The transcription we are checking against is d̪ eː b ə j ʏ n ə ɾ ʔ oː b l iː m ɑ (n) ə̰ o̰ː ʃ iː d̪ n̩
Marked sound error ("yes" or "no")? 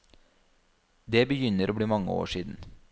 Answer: yes